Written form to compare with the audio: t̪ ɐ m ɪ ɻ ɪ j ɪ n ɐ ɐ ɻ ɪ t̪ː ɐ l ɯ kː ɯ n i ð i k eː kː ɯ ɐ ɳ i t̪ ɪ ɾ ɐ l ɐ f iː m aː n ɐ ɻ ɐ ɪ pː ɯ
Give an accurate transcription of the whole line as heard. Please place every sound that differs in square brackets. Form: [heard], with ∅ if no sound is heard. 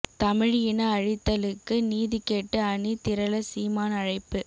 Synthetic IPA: t̪ ɐ m ɪ ɻ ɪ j ɪ n ɐ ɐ ɻ ɪ t̪ː ɐ l ɯ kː ɯ n [iː] ð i k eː [ʈː] ɯ ɐ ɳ i t̪ ɪ ɾ ɐ l ɐ [s] iː m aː n ɐ ɻ ɐ ɪ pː ɯ